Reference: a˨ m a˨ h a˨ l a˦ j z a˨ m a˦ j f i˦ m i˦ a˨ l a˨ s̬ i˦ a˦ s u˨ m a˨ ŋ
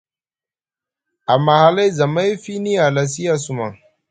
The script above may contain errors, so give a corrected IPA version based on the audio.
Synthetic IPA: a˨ m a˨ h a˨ l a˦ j z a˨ m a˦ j f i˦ n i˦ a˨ l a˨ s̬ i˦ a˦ s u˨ m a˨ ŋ